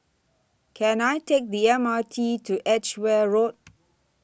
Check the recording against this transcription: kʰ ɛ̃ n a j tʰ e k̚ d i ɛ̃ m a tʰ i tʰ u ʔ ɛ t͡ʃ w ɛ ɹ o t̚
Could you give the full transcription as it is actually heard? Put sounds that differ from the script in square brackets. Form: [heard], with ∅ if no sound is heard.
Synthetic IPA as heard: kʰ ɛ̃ n a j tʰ e k̚ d i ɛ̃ m a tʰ i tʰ u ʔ ɛ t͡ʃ w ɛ ɹ o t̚